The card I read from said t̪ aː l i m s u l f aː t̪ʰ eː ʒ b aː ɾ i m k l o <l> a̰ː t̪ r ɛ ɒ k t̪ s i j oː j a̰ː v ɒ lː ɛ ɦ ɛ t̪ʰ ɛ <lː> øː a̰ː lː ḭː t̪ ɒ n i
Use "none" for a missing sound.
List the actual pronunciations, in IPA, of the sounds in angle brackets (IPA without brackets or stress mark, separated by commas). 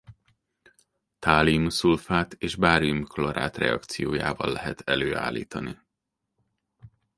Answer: ɾ, l